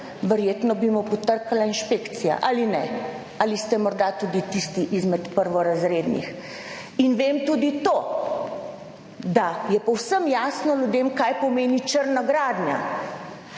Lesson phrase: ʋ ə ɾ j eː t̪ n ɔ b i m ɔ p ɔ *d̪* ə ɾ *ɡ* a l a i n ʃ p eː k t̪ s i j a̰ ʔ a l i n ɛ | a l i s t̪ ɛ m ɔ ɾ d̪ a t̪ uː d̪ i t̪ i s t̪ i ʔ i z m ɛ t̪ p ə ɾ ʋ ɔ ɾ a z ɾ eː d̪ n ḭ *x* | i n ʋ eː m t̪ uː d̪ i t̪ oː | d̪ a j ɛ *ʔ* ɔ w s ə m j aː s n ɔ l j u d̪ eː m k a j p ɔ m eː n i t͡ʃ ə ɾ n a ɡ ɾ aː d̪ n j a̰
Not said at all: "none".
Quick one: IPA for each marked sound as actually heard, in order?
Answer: t̪, k, x, p

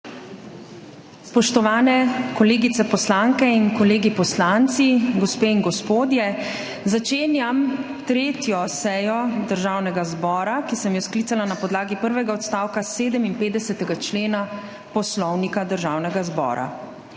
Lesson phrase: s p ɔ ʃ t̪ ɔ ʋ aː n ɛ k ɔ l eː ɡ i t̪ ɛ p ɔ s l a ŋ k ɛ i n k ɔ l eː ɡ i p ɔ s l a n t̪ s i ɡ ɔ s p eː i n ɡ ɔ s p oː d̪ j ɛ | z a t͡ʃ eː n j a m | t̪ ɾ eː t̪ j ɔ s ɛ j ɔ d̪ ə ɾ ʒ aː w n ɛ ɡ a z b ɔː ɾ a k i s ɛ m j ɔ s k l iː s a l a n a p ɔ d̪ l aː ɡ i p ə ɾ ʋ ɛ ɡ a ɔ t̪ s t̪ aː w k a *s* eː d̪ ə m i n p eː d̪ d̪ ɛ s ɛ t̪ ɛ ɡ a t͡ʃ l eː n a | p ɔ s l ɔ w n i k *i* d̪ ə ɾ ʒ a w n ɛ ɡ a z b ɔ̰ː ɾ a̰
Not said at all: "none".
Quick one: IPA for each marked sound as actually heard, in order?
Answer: s, a

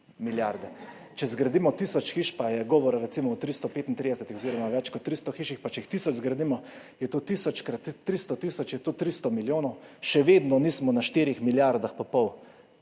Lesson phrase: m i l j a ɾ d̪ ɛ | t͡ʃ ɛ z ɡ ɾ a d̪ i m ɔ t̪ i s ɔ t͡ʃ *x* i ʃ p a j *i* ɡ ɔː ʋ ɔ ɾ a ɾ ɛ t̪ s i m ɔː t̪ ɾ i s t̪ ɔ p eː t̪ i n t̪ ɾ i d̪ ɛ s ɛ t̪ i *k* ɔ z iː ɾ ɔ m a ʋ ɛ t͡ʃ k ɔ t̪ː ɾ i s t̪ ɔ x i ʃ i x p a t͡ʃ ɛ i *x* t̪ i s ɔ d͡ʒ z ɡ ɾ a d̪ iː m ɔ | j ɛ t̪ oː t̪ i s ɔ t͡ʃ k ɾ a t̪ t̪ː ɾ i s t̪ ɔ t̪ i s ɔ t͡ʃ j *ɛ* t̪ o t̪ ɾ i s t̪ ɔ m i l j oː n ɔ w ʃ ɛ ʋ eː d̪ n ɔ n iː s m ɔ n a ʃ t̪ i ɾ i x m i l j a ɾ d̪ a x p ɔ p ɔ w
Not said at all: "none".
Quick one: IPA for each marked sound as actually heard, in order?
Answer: x, ɛ, x, x, ɛ

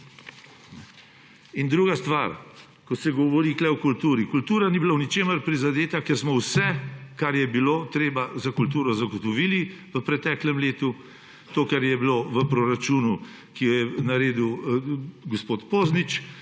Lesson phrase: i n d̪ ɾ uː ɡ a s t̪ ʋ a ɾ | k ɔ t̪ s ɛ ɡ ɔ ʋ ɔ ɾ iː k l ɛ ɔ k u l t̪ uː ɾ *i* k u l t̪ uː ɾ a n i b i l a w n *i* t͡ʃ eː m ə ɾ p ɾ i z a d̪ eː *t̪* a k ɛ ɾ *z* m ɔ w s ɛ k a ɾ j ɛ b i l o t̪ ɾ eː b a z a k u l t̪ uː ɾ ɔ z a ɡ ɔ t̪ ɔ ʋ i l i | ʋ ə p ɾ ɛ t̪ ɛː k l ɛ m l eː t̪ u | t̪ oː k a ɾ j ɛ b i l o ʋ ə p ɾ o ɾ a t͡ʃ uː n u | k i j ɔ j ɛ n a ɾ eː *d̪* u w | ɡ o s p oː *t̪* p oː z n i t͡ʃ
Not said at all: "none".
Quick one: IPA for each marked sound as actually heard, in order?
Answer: i, i, t̪, s, d̪, t̪

